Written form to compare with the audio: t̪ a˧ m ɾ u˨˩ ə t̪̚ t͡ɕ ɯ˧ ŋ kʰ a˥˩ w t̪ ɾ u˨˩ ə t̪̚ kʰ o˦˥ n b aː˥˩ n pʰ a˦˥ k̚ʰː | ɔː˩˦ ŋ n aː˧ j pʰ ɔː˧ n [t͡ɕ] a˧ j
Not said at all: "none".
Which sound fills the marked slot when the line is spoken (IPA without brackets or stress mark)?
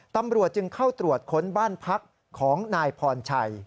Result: t͡ɕʰ